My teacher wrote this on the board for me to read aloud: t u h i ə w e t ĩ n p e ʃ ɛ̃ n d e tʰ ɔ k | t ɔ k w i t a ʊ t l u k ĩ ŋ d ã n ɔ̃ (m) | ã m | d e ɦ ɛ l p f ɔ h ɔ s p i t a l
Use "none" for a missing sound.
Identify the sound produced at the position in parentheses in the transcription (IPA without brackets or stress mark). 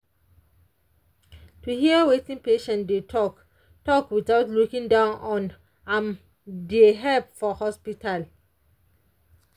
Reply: n